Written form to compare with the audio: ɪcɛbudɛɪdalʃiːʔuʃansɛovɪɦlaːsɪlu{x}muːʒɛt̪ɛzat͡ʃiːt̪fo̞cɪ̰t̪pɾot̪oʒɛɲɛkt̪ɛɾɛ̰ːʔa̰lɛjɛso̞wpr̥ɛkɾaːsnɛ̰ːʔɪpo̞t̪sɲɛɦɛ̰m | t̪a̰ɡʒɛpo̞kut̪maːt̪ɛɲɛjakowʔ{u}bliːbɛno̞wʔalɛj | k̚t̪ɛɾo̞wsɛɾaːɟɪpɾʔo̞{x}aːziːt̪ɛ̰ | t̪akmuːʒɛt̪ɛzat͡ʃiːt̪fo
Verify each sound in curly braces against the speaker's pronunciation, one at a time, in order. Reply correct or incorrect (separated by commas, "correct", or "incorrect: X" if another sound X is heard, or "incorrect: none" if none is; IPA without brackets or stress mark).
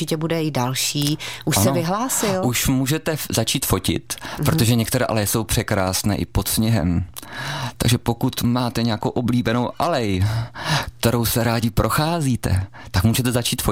incorrect: ʃ, incorrect: o, correct